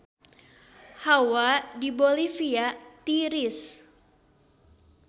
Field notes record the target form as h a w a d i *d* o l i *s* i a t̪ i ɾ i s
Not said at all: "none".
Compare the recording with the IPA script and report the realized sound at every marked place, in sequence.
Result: b, f

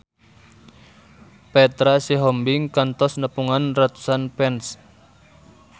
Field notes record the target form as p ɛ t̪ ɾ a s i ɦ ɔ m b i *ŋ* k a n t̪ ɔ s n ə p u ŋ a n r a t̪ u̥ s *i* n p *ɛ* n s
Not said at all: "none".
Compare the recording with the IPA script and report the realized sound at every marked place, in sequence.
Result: ŋ, a, ɛ

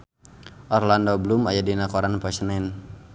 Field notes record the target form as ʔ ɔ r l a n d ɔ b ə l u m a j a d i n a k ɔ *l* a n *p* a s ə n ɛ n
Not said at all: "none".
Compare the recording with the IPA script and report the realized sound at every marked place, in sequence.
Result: ɾ, p

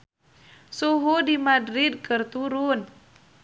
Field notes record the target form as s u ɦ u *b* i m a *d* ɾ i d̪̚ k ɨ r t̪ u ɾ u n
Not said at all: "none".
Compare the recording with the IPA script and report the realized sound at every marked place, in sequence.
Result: d, d

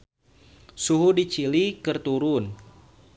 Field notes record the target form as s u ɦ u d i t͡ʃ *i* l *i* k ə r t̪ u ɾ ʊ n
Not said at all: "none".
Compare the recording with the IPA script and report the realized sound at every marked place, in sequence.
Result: i, i

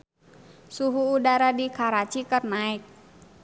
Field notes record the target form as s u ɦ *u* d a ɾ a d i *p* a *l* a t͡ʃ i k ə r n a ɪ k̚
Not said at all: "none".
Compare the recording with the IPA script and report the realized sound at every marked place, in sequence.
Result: uː, k, ɾ

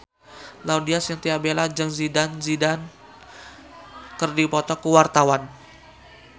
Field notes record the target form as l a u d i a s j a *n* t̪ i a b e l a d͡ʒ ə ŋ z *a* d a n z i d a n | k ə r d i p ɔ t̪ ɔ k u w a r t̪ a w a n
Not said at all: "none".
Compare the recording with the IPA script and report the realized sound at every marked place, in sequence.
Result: ŋ, i

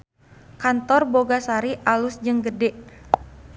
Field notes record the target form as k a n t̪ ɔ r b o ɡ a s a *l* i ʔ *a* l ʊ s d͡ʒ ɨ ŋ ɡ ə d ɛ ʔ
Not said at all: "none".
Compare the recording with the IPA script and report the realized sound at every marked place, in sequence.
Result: ɾ, a

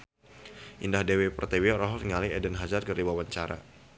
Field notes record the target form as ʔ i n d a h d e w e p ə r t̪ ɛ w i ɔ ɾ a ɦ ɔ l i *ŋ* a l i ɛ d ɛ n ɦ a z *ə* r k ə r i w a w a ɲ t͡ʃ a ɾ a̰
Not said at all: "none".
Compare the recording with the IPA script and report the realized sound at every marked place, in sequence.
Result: ŋ, a

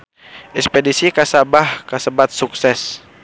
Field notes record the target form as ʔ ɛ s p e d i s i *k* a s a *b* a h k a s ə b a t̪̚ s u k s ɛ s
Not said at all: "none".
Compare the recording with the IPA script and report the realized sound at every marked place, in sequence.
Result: k, b

